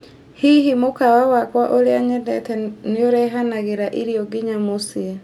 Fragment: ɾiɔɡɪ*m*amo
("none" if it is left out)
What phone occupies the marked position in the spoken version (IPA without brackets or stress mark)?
ɲ